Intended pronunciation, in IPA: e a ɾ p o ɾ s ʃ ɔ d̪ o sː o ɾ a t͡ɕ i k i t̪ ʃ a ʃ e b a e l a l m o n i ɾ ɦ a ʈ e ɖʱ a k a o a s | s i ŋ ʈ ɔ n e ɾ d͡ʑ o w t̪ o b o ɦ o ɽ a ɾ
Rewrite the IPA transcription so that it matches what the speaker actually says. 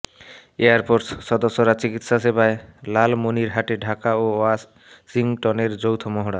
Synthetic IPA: e a ɾ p o ɾ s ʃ ɔ d̪ o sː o ɾ a t͡ɕ i k i t̪ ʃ a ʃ e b a e l a l m o n i ɾ ɦ a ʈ e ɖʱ a k a o a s | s i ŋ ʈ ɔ n e ɾ d͡ʑ o w t̪ʰ o m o ɦ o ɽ a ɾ